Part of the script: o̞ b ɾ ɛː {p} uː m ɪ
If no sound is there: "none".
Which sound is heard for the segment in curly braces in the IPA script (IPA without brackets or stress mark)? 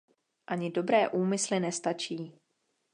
ʔ